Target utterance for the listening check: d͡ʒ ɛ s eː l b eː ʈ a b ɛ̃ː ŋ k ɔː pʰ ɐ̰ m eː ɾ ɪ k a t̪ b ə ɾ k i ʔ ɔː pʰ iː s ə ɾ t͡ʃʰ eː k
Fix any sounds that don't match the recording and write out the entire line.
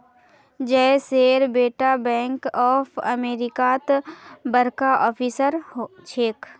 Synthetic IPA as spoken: d͡ʒ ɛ s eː ɾ b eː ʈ a b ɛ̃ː ŋ k ɔː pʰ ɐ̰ m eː ɾ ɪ k a t̪ b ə ɾ k a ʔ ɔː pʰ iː s ə ɾ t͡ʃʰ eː k